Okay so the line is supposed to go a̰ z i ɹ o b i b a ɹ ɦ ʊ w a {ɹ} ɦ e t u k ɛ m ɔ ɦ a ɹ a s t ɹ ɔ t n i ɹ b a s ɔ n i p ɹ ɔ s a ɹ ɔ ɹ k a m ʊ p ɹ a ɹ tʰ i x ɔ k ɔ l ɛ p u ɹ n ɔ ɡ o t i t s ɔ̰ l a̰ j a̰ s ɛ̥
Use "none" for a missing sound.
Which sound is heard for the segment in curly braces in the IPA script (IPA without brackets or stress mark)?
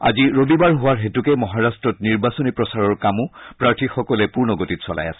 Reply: ɹ